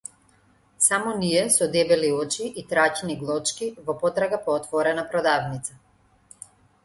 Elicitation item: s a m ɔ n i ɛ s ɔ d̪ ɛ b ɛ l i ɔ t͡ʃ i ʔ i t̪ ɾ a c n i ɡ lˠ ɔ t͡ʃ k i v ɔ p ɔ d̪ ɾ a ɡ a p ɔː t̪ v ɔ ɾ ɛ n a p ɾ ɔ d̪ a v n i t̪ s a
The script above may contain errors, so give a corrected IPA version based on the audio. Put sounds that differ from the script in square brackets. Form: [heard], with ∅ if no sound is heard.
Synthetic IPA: s a m ɔ n i ɛ s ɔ d̪ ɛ b ɛ l i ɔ t͡ʃ i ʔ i t̪ ɾ a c n i ɡ lˠ ɔ t͡ʃ k i v ɔ p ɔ [t̪] ɾ a ɡ a p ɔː t̪ v ɔ ɾ ɛ n a p ɾ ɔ d̪ a v n i t̪ s a